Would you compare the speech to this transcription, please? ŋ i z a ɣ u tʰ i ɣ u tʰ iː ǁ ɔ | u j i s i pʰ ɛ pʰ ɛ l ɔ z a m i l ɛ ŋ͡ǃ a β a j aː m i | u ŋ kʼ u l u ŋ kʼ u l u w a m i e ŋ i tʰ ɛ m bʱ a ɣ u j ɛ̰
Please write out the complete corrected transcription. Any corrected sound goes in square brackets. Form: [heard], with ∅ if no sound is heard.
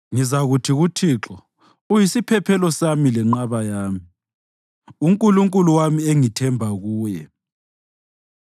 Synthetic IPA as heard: ŋ i z a ɣ u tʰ i ɣ u tʰ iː ǁ ɔ | u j i s i pʰ ɛ pʰ ɛ l ɔ [s] a m i l ɛ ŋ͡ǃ a β a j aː m i | u ŋ kʼ u l u ŋ kʼ u l u w a m i e ŋ i tʰ ɛ m bʱ a ɣ [uː] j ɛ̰